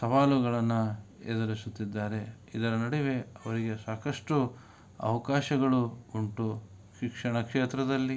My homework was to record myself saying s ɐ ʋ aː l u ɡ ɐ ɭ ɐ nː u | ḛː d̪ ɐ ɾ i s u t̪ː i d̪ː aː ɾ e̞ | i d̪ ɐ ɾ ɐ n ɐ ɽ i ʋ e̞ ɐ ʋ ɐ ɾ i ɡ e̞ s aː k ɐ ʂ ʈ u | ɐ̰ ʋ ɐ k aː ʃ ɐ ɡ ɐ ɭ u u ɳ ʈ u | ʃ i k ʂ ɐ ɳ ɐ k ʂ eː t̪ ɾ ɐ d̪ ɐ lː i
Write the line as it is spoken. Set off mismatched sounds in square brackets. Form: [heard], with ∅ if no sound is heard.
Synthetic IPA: s ɐ ʋ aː l u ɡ ɐ ɭ ɐ nː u | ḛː d̪ ɐ ɾ i s u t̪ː i d̪ː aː ɾ e̞ | i d̪ ɐ ɾ ɐ n ɐ ɽ i ʋ e̞ ɐ ʋ ɐ ɾ i ɡ e̞ s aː k ɐ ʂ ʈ u | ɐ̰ ʋ ɐ k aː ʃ ɐ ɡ ɐ ɭ u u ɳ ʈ u | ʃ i k ʂ ɐ ɳ ɐ k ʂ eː t̪ ɾ ɐ d̪ ɐ lː i